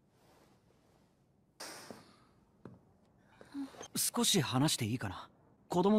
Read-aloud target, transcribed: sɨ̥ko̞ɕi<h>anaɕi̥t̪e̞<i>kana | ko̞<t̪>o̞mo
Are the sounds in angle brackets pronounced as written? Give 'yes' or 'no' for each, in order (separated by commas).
yes, no, no